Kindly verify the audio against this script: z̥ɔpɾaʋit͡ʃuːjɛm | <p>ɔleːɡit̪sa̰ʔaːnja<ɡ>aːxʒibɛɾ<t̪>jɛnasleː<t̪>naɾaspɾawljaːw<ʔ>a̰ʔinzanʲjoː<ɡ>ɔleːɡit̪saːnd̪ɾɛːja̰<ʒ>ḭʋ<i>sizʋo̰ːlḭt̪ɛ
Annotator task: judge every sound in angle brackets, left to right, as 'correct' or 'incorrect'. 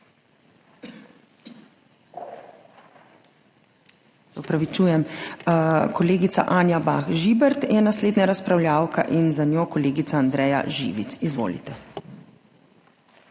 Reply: incorrect, incorrect, correct, incorrect, incorrect, incorrect, correct, correct

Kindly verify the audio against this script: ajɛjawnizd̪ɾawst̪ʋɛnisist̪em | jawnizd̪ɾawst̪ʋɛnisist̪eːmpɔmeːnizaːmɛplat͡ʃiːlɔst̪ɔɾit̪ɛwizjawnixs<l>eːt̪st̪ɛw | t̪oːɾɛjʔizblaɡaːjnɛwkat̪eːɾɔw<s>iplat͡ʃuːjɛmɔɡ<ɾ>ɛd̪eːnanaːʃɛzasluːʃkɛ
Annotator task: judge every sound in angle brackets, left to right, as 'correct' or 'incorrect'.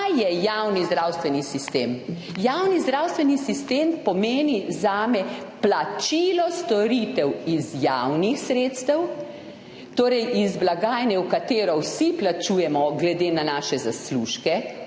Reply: incorrect, correct, incorrect

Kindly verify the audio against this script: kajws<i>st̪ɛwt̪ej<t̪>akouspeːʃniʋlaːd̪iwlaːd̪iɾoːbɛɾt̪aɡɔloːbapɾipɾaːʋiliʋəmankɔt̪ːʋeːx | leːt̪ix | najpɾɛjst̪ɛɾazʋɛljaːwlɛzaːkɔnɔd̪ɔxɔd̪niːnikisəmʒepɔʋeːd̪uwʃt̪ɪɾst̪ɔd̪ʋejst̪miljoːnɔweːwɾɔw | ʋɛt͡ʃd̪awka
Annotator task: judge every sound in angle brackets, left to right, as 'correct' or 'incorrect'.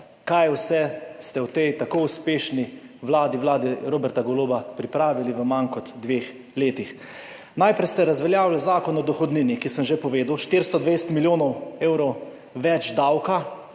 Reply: incorrect, correct

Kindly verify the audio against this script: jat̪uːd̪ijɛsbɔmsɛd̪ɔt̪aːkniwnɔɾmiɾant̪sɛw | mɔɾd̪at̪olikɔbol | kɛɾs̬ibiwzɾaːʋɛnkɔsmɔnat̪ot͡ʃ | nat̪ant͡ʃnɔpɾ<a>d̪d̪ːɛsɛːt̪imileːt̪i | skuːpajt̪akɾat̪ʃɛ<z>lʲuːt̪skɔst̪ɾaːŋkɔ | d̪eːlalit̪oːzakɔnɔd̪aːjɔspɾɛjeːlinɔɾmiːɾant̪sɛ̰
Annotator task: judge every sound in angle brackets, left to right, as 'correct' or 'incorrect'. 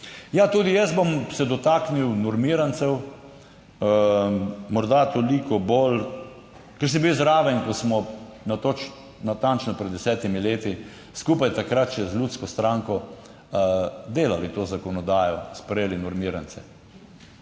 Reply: incorrect, correct

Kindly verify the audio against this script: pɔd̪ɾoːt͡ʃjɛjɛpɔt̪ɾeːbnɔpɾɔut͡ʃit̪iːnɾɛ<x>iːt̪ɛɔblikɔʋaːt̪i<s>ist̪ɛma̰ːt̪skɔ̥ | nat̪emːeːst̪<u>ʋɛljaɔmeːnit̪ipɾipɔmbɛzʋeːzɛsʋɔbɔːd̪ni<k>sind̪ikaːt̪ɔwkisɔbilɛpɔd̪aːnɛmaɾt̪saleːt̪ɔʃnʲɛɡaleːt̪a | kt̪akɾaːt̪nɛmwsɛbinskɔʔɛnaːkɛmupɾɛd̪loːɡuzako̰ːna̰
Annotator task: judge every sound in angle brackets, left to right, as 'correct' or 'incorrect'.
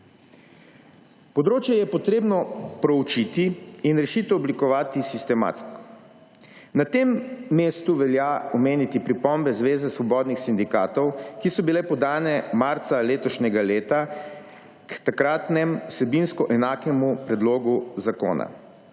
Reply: incorrect, correct, correct, incorrect

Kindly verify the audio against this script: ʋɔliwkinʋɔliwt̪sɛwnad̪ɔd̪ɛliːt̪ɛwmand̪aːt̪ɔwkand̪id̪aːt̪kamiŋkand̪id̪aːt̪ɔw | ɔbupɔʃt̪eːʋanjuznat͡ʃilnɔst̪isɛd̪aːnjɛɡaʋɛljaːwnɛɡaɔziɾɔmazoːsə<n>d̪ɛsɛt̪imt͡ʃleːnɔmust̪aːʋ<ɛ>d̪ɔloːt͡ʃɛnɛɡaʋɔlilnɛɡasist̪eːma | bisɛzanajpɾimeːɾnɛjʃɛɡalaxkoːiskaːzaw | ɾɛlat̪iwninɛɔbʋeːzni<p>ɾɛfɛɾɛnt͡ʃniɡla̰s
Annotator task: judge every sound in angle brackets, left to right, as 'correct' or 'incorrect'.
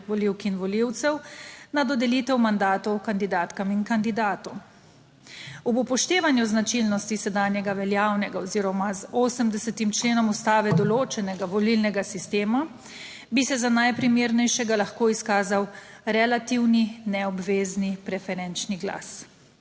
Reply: incorrect, correct, correct

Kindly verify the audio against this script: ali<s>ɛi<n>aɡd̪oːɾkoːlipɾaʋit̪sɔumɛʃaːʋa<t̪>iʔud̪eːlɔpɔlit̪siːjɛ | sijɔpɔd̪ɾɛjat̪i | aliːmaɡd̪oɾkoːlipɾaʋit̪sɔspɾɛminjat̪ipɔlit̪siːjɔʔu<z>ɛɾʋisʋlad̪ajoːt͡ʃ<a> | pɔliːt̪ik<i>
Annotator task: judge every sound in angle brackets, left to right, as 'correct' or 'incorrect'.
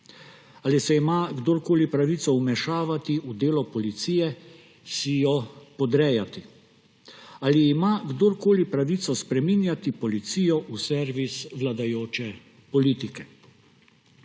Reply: correct, incorrect, correct, incorrect, incorrect, incorrect

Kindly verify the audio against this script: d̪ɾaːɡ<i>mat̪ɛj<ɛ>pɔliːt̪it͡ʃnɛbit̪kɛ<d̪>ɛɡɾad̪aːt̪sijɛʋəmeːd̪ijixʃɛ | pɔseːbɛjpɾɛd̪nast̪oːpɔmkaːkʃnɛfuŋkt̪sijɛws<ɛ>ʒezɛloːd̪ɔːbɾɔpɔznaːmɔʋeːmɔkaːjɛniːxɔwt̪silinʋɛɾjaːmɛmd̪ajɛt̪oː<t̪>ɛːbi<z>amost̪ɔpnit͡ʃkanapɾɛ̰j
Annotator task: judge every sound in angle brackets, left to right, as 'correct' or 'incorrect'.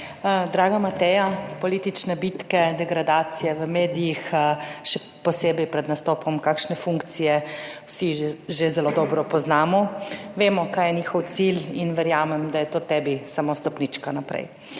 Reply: incorrect, incorrect, correct, incorrect, correct, incorrect

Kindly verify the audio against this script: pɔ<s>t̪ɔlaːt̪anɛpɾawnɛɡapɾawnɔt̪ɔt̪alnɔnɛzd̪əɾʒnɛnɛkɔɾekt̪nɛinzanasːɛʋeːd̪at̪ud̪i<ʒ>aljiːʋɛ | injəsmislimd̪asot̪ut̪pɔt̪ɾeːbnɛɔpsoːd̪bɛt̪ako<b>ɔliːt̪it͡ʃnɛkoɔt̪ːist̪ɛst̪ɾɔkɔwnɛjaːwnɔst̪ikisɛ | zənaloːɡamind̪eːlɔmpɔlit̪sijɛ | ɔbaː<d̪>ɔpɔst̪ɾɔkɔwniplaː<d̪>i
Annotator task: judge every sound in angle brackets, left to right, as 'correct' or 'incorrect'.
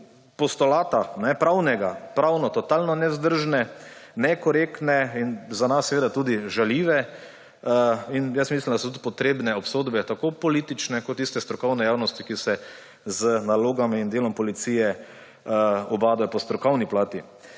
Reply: correct, correct, incorrect, correct, incorrect

